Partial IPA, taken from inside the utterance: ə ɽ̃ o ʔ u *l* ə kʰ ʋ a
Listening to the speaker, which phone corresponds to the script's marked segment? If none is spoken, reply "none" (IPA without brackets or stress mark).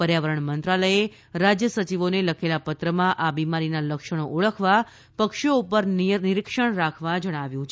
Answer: ɭ